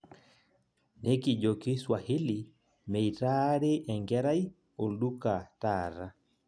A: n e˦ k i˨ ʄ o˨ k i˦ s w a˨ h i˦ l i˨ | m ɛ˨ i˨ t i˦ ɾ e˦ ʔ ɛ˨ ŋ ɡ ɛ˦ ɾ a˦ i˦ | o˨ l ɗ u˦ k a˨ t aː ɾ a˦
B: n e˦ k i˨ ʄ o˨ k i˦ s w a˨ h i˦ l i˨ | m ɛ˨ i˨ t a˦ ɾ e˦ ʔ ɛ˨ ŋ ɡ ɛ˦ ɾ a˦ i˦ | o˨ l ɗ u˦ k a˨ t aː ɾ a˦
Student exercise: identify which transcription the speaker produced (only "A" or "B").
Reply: B